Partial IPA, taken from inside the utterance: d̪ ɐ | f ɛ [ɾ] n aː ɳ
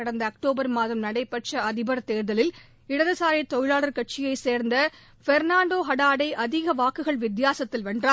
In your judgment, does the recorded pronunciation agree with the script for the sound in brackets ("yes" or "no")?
yes